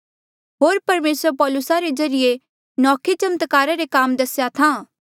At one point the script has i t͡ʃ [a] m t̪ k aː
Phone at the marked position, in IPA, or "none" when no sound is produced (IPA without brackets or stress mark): ɐ